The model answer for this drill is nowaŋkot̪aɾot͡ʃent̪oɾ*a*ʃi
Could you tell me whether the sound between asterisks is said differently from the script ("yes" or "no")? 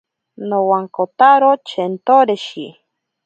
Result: yes